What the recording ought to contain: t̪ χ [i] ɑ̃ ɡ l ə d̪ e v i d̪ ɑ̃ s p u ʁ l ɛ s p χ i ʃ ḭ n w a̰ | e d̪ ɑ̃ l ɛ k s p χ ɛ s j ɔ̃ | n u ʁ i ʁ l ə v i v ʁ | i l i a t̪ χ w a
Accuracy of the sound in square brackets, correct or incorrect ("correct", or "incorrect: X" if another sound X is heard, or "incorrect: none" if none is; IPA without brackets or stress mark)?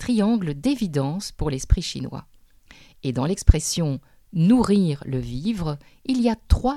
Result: correct